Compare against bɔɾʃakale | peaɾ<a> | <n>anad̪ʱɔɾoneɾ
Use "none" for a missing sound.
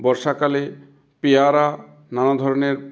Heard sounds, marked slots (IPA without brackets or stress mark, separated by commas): a, n